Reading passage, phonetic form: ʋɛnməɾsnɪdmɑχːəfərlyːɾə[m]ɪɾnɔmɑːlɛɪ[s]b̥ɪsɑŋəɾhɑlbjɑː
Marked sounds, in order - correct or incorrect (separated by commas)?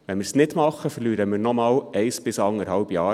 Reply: correct, correct